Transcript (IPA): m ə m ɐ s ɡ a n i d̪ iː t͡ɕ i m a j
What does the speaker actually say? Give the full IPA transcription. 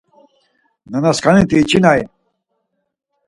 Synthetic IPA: n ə n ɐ s k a n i t̪ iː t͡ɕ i n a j